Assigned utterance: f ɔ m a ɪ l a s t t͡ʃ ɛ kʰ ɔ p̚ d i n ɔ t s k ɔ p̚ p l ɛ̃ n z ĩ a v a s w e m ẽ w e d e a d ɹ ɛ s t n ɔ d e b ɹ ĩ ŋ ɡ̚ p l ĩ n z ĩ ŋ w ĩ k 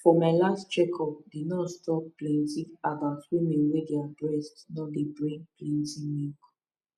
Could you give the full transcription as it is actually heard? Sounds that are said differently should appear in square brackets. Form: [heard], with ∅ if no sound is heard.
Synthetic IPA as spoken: f ɔ m a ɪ l a s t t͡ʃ ɛ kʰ ɔ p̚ d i n ɔ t s [t] ɔ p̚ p l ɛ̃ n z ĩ a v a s w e m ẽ w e d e a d ɹ ɛ s t n ɔ d e b ɹ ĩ ŋ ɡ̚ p l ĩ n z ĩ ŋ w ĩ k